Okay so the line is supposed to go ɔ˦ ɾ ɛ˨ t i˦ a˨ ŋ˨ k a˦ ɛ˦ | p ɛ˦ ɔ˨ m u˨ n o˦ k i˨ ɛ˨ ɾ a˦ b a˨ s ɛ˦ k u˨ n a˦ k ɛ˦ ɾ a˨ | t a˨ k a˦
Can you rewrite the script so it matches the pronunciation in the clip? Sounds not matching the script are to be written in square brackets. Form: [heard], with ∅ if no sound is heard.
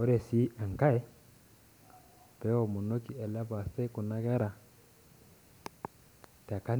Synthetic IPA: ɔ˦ ɾ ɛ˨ [s] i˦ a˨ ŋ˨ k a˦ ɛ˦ | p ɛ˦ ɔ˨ m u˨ n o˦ k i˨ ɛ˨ [l] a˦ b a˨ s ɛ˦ k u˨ n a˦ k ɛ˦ ɾ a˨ | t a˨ k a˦

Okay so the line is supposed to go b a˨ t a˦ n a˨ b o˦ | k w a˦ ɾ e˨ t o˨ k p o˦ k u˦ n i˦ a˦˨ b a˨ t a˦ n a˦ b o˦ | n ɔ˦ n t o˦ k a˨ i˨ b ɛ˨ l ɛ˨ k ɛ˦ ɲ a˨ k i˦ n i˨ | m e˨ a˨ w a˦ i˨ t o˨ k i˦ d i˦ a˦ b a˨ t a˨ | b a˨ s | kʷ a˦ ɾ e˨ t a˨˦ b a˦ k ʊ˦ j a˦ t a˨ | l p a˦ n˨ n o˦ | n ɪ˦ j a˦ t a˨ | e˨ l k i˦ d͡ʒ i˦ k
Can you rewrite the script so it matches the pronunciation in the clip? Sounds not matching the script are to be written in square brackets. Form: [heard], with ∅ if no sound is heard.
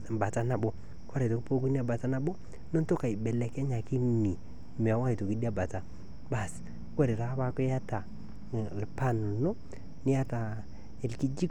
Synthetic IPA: b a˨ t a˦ n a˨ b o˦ | k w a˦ ɾ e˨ t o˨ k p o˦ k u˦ n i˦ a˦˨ b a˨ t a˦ n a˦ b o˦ | n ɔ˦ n t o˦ k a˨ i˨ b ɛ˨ l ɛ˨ k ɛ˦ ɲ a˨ k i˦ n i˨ | m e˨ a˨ w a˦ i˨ t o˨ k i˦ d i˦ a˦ b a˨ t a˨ | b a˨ s | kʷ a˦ ɾ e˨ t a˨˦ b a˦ k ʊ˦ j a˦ t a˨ | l p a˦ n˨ n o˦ | n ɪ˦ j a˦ t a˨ | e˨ l k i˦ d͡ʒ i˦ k

